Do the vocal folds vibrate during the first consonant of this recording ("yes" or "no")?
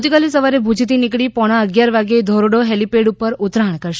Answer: no